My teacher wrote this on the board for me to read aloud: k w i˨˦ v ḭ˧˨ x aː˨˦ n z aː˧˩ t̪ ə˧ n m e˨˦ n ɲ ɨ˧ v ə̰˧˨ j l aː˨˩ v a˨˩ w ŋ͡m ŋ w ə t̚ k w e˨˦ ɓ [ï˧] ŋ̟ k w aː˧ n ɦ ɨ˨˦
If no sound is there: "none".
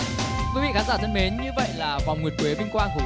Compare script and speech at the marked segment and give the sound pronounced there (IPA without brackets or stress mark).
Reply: ï˧